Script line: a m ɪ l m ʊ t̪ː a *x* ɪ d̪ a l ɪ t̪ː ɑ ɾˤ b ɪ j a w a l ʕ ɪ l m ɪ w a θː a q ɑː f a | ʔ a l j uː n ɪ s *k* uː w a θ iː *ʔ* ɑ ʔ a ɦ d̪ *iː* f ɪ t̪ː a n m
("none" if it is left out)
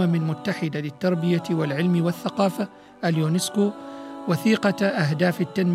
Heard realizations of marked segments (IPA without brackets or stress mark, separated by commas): ħ, k, q, aː